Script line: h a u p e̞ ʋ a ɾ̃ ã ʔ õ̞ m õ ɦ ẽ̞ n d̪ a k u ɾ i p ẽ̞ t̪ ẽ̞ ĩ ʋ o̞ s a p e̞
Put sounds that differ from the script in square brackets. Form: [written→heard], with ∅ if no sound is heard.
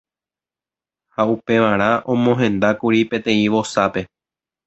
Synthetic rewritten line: h a u p e̞ ʋ a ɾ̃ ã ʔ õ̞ m õ ɦ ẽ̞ n d̪ a k u ɾ i p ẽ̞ t̪ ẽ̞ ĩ ʋ o̞ s a p e̞